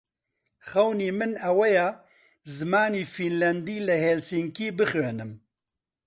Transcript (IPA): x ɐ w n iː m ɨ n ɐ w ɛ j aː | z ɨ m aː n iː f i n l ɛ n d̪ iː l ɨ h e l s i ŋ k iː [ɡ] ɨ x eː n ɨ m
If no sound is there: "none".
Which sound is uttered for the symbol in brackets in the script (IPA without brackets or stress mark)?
b